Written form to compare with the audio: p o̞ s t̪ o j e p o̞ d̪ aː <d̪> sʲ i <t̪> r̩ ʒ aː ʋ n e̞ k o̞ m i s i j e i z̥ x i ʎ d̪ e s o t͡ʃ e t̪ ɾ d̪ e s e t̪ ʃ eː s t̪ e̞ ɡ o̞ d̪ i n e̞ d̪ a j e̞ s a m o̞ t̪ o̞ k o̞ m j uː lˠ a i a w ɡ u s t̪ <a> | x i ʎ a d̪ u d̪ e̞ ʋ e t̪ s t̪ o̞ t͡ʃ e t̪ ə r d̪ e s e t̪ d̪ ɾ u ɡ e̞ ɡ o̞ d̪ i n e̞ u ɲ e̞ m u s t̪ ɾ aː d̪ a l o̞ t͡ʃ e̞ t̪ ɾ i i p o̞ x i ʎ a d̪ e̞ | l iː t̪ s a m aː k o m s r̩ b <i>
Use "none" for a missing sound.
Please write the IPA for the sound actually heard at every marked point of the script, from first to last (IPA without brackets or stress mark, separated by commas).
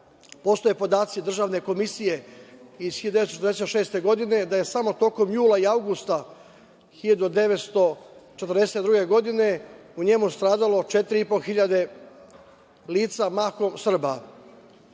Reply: t̪, d̪, a, a